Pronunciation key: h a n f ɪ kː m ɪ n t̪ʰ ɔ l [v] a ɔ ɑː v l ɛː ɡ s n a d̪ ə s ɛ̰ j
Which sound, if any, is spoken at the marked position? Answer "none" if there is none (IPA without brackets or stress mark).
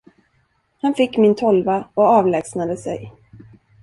v